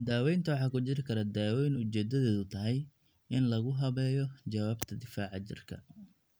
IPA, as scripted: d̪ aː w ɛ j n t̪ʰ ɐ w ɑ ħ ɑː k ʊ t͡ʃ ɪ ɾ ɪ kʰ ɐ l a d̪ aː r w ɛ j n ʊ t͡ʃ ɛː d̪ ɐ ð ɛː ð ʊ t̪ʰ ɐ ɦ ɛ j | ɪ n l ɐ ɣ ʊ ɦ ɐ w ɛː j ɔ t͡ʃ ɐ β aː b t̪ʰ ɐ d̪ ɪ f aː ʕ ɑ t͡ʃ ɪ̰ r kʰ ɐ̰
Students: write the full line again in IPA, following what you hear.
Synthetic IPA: d̪ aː w ɛ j n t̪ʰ ɐ w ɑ ħ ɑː k ʊ t͡ʃ ɪ ɾ ɪ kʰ ɐ ɾ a d̪ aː w ɛ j n ʊ t͡ʃ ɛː d̪ ɐ ð ɛː ð ʊ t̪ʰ ɐ ɦ ɛ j | ɪ n l ɐ ɣ ʊ ɦ ɐ β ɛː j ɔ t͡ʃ ɐ w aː b t̪ʰ ɐ d̪ ɪ f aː ʕ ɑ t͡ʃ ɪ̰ r kʰ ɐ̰